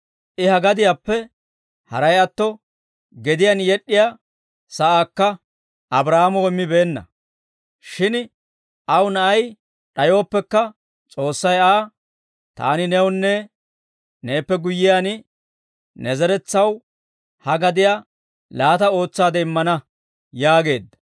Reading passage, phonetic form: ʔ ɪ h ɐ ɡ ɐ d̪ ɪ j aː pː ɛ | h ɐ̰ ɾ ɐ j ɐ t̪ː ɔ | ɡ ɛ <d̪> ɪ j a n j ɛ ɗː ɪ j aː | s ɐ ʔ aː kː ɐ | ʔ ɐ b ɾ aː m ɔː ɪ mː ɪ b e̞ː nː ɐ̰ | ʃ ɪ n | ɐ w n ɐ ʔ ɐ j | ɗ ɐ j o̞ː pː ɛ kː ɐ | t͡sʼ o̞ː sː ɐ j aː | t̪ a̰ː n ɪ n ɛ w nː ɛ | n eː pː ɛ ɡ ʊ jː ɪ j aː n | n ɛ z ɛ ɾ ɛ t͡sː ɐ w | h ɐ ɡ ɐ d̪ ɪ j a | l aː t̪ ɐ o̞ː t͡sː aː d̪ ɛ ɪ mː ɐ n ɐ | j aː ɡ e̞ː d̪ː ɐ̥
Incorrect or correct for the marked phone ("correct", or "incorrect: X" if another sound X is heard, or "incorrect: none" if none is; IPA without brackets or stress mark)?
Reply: correct